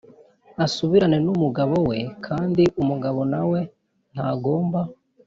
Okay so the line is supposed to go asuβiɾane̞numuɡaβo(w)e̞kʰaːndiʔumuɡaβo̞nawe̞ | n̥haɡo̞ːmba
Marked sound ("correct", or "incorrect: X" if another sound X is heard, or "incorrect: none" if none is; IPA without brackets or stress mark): correct